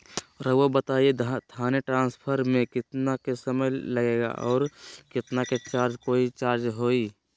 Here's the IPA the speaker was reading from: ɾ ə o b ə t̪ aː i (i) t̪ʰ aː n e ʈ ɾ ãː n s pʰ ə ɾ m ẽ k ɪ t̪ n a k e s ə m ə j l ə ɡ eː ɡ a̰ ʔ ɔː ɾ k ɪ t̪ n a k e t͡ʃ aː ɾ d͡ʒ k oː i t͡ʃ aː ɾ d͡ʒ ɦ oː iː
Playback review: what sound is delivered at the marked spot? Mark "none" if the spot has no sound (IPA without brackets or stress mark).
e